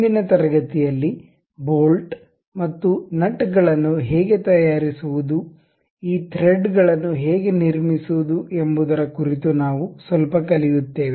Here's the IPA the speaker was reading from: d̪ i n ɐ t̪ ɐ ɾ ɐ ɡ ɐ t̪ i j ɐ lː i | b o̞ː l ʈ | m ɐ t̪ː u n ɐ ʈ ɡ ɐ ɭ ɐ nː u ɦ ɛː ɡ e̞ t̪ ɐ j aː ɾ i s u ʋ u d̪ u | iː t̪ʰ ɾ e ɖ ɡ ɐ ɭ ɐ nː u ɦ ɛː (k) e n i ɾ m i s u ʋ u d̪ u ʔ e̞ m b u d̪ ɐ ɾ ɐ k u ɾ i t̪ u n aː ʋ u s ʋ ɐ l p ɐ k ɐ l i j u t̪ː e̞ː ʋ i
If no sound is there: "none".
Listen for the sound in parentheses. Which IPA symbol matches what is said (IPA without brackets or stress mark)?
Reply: ɡ